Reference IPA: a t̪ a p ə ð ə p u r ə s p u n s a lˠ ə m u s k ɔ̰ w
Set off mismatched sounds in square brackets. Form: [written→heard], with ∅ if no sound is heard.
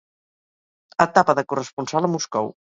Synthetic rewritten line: [a→ə] t̪ a p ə ð ə [p→k] u r ə s p u n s a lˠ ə m u s k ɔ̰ w